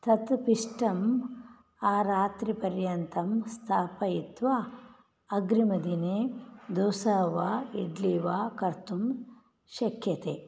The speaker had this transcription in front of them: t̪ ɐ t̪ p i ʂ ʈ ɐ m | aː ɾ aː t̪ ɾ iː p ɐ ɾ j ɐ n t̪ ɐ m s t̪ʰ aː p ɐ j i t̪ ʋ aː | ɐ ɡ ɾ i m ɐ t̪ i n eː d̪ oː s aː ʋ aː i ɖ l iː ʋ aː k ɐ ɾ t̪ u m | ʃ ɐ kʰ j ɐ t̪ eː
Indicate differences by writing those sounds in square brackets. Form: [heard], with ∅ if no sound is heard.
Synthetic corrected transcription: t̪ ɐ t̪ p i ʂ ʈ ɐ m | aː ɾ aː t̪ ɾ [i] p ɐ ɾ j ɐ n t̪ ɐ m s t̪ʰ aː p ɐ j i t̪ ʋ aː | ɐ ɡ ɾ i m ɐ [d̪] i n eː d̪ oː s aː ʋ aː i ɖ l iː ʋ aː k ɐ ɾ t̪ u m | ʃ ɐ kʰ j ɐ t̪ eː